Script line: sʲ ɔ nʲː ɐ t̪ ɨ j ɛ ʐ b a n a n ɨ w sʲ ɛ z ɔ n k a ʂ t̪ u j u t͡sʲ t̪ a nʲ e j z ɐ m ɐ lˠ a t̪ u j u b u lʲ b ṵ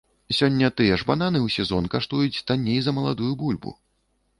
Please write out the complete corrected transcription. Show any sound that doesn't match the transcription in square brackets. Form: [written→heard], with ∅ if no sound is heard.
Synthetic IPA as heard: sʲ ɔ nʲː ɐ t̪ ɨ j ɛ ʐ b a n a n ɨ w sʲ ɛ z ɔ n k a ʂ t̪ u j u t͡sʲ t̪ a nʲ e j z ɐ m ɐ lˠ a [t̪→d̪] u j u b u lʲ b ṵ